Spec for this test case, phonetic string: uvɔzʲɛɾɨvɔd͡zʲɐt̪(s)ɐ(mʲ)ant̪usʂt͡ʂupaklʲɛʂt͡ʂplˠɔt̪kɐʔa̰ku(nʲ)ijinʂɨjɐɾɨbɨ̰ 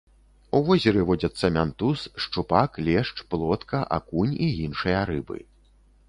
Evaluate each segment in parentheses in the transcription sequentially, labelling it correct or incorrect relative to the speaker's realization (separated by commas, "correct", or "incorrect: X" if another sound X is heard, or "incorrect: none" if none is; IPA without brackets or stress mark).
incorrect: sː, correct, correct